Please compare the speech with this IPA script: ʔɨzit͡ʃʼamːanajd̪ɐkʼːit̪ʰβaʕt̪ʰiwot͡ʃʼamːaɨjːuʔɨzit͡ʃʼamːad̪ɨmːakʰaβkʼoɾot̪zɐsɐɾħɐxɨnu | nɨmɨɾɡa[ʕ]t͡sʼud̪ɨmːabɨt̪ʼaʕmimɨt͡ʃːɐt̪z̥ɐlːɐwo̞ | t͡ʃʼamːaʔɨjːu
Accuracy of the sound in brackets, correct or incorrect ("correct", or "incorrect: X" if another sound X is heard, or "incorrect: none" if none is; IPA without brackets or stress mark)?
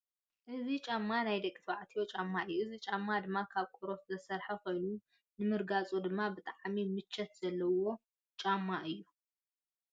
incorrect: none